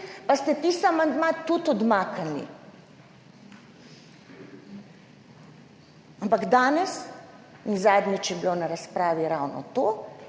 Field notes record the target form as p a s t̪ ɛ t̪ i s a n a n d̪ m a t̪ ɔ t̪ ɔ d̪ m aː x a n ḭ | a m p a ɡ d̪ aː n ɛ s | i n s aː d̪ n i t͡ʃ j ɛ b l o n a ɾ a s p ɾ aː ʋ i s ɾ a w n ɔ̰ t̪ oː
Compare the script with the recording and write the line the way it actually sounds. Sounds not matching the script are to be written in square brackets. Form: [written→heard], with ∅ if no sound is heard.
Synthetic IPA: p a s t̪ ɛ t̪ i s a [n→m] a n d̪ m a t̪ [ɔ→u] t̪ ɔ d̪ m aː [x→k] a n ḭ | a m p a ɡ d̪ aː n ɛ s | i n [s→z] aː d̪ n i t͡ʃ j ɛ b l o n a ɾ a s p ɾ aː ʋ i [s→∅] ɾ a w n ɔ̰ t̪ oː